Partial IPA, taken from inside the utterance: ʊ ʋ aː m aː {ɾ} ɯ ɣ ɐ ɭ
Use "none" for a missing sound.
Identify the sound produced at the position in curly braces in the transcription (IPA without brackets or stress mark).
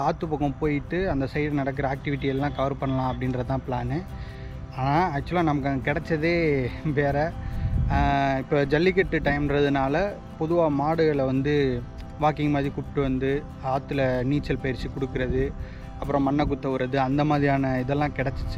ɽ